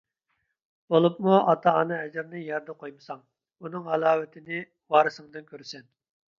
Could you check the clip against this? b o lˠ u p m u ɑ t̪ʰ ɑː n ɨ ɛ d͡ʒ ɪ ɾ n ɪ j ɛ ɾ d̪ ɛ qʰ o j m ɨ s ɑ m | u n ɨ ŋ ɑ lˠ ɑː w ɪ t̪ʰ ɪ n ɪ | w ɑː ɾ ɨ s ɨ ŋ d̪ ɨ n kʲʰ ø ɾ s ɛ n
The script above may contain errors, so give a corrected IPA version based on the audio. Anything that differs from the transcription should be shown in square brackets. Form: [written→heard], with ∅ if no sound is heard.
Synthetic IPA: b o lˠ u p m u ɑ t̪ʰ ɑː n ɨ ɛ d͡ʒ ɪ ɾ n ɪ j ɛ ɾ d̪ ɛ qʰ o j m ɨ s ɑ [m→ŋ] | u n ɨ ŋ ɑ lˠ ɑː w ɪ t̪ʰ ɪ n ɪ | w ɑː ɾ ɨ s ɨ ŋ d̪ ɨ n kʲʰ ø ɾ s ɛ n